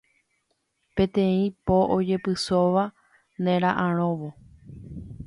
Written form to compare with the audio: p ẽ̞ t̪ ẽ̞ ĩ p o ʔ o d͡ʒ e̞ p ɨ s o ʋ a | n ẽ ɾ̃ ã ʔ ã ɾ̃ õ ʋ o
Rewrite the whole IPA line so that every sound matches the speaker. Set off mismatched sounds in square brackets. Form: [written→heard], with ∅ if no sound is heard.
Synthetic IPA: p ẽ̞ t̪ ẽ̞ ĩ p o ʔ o d͡ʒ e̞ p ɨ s o ʋ a | n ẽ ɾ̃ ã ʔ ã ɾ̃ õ ʋ o